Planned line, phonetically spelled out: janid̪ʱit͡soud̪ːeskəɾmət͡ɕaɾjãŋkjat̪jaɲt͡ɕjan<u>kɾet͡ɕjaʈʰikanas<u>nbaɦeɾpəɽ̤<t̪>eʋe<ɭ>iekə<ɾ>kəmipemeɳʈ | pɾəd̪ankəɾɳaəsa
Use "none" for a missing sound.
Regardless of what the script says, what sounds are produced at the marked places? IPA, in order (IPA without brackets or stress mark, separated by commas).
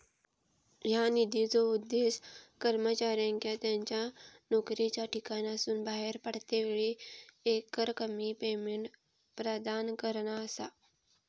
o, uː, t̪, ɭ, ɾ